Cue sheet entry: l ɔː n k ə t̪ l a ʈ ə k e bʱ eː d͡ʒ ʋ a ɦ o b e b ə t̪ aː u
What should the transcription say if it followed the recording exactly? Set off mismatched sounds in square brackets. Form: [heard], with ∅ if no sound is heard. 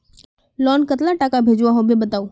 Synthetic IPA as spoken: l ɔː n k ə t̪ l a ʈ [a] k [a] bʱ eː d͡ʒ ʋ a ɦ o b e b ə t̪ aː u